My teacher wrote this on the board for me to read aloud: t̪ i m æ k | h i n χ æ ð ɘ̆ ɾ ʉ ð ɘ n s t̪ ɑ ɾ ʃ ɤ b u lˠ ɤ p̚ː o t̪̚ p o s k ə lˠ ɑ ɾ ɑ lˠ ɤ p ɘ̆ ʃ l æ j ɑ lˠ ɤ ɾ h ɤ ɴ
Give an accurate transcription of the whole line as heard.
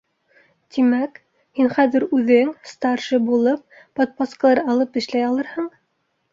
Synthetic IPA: t̪ i m æ k | h i n χ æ ð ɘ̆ ɾ ʉ ð ɘ ŋ s t̪ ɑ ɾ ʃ ɤ b u lˠ ɤ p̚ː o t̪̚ p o s k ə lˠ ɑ ɾ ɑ lˠ ɤ p ɘ̆ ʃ l æ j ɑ lˠ ɤ ɾ h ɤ ɴ